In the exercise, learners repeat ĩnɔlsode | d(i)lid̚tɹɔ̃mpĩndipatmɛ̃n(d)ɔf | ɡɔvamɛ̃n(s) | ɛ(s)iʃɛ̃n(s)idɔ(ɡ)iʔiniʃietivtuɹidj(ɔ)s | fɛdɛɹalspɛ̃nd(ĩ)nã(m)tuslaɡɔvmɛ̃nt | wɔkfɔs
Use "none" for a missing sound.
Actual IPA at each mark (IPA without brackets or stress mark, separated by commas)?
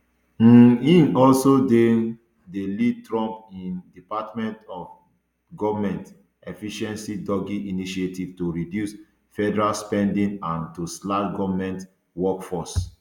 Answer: e, t, t, f, s, ɡ, u, ĩ, n